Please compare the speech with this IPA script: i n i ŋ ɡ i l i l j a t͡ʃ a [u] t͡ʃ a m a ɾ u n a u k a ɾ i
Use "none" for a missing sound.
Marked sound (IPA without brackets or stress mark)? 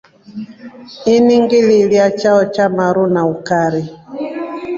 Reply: ɔ